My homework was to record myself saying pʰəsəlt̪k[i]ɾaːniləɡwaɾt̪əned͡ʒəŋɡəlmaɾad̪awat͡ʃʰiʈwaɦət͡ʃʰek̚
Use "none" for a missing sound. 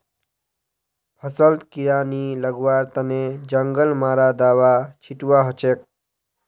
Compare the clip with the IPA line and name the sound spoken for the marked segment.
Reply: i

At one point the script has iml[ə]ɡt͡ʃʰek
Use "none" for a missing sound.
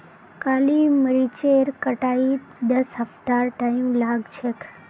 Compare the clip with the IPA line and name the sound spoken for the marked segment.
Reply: a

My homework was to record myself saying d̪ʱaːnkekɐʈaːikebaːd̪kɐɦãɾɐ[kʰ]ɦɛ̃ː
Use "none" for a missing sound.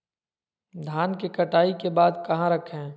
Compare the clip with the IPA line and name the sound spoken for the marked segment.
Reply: kʰ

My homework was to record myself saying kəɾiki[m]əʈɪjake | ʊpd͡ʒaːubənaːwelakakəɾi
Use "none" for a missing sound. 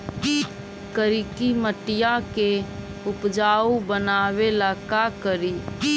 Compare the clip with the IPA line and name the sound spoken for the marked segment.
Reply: m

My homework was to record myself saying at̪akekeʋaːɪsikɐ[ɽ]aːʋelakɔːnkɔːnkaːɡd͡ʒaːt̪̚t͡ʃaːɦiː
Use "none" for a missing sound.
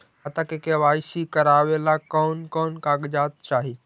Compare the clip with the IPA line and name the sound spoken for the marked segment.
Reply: ɾ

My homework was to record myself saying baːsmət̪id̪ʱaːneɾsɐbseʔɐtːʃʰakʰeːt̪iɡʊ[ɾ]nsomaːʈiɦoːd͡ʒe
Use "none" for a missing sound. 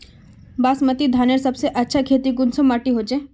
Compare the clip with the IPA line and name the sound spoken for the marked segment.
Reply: none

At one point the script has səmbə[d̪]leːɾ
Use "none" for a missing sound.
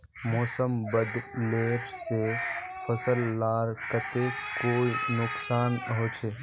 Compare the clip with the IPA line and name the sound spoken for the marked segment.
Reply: d̪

